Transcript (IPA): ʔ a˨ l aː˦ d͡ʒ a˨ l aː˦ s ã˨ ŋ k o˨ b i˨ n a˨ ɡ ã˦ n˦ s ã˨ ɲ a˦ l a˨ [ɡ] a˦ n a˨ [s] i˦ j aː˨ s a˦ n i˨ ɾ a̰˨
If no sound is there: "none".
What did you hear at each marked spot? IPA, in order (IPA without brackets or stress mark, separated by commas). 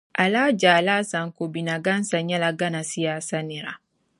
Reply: ɡ, s